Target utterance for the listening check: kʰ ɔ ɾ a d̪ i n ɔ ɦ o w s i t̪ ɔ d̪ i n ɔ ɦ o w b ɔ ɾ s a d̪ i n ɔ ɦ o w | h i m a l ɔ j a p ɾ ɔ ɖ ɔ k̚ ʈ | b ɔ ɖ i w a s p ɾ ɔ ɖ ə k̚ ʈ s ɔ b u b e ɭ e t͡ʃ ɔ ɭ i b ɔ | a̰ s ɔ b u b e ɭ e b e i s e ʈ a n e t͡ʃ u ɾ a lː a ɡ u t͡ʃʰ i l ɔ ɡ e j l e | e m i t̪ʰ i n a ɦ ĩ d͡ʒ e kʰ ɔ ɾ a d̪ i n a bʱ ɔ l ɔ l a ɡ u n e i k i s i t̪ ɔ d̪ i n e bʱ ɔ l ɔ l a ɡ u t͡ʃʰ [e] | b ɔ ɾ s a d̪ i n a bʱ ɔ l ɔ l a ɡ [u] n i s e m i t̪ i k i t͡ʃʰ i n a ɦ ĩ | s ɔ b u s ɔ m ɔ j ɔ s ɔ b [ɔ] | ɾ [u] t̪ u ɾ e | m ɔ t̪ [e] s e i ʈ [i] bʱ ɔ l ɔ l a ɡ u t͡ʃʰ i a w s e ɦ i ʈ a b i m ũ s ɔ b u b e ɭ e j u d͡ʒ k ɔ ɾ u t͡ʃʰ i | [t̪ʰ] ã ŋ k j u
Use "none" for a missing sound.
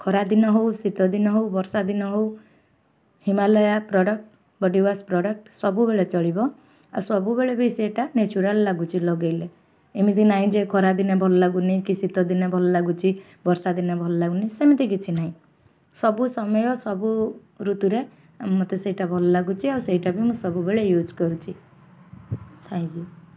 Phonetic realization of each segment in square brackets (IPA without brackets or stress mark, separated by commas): i, u, u, u, e, a, t̪ʰ